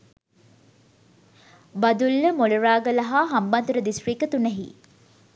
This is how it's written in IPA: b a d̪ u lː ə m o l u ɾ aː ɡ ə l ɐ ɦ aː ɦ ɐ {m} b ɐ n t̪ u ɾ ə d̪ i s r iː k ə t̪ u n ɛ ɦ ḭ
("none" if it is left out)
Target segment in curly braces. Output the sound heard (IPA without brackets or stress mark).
m